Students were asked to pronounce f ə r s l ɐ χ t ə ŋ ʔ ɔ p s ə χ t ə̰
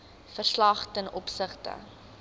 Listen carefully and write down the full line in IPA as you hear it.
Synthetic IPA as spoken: f ə r s l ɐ χ t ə n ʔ ɔ p s ə χ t ə̰